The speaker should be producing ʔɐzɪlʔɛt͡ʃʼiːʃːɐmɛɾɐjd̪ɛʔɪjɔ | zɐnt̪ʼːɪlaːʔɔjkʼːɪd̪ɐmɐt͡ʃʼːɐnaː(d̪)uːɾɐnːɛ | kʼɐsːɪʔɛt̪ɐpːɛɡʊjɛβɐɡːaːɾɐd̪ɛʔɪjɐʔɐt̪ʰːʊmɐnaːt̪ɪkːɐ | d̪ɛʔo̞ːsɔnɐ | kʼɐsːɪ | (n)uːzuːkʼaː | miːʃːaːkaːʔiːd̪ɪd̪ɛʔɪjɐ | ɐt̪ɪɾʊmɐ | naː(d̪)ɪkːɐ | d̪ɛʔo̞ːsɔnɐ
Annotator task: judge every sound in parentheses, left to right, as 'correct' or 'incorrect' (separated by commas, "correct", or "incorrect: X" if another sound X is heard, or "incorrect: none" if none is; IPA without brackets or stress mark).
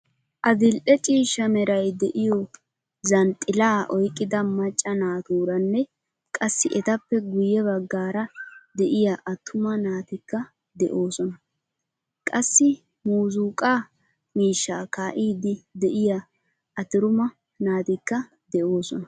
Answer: incorrect: t̪, incorrect: m, incorrect: t̪